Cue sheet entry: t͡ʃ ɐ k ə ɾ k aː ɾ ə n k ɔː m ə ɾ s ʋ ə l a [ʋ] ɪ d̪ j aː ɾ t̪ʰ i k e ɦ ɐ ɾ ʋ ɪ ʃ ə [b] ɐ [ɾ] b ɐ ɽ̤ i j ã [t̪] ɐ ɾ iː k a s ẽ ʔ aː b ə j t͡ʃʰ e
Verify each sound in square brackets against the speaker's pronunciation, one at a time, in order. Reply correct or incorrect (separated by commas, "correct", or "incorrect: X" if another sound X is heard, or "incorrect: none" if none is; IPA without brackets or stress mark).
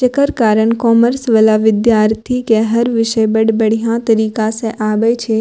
correct, correct, incorrect: ɽ, correct